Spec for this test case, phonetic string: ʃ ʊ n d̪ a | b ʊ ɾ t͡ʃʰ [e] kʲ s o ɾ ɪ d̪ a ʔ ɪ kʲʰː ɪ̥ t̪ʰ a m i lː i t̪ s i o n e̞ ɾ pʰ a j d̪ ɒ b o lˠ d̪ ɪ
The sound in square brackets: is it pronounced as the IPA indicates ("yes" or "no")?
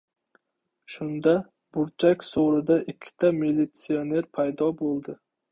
no